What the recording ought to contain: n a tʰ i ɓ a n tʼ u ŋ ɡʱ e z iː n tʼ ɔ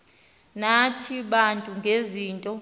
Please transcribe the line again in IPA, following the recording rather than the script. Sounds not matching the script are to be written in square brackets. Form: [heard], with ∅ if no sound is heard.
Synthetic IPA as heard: n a tʰ i ɓ a n tʼ u ŋ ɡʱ e z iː n tʼ ɔ